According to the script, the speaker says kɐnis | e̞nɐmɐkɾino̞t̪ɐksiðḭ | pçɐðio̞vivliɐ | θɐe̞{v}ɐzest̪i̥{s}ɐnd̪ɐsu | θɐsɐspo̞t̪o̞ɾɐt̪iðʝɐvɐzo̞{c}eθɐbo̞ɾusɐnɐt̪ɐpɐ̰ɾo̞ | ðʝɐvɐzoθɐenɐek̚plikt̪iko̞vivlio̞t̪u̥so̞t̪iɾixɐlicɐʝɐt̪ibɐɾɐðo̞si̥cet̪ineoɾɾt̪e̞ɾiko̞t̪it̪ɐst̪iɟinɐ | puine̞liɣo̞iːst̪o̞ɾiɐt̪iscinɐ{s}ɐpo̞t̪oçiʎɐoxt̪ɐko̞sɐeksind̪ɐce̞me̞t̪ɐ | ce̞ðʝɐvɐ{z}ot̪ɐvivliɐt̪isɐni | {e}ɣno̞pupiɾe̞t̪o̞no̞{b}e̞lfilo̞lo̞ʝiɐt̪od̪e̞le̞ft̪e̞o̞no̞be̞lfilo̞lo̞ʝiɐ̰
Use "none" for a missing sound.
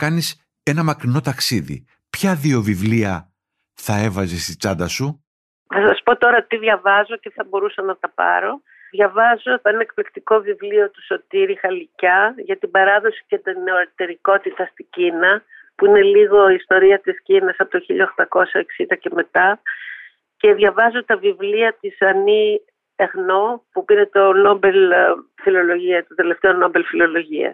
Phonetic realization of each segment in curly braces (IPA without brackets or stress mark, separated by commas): v, t͡s, c, s, z, e, b